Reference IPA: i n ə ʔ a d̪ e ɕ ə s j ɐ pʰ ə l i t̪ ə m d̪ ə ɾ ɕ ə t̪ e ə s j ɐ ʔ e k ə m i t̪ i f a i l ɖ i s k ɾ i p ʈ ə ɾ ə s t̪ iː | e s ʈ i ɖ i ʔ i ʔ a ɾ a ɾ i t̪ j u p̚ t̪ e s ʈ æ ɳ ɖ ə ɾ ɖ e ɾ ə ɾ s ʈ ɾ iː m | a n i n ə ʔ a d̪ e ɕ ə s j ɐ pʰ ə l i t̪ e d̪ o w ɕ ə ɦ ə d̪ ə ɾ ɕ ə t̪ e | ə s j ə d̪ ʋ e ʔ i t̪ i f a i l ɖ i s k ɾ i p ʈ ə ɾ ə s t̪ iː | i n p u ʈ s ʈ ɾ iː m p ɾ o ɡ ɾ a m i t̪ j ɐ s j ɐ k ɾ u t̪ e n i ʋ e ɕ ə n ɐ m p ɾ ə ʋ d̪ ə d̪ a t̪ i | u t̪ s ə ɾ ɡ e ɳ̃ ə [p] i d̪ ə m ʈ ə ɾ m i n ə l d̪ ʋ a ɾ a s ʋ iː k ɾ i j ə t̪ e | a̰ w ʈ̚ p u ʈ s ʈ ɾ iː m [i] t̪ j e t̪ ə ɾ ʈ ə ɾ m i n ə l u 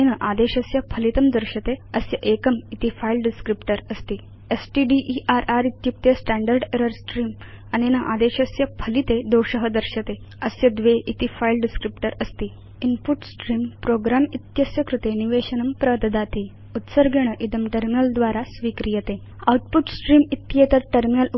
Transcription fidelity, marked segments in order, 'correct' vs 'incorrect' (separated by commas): incorrect, correct